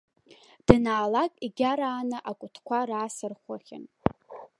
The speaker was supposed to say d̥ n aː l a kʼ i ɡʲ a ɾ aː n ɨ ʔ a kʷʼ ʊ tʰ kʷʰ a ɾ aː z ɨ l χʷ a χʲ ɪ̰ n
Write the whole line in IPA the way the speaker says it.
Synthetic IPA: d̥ n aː l a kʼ i ɡʲ a ɾ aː n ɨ ʔ a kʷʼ ʊ tʰ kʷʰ a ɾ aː s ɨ r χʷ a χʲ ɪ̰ n